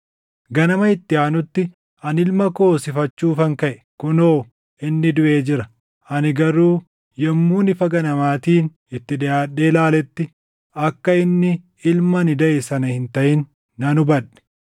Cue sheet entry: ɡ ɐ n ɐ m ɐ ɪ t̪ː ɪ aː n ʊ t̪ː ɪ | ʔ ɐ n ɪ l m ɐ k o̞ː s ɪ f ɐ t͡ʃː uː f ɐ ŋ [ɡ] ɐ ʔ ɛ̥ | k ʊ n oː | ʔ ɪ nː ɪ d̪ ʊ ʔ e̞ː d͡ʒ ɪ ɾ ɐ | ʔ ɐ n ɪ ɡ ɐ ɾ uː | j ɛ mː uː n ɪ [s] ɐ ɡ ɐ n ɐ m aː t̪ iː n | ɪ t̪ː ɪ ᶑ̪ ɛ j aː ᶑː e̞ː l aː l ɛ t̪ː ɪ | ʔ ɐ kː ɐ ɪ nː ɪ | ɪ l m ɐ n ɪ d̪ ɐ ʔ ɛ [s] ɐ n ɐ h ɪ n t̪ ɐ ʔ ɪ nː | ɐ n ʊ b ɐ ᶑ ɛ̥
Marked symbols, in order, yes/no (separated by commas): no, no, yes